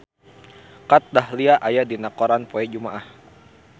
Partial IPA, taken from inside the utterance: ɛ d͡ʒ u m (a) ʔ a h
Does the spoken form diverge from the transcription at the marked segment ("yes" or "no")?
no